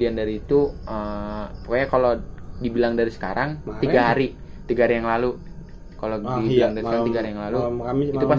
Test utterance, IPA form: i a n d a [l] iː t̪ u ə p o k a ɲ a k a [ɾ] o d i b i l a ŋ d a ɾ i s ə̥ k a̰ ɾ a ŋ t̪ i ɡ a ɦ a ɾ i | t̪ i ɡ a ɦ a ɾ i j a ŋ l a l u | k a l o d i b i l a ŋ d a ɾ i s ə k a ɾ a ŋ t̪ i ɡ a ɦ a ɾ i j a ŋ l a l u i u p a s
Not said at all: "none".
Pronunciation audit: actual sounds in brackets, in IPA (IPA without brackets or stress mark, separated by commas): ɾ, l